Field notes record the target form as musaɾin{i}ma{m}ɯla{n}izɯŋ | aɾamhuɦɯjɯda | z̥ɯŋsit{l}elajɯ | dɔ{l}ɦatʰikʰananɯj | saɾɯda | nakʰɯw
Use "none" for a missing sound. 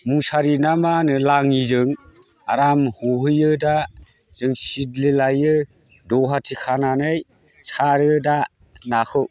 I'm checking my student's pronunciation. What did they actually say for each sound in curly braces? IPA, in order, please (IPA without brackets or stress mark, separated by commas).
a, n, ŋ, l, none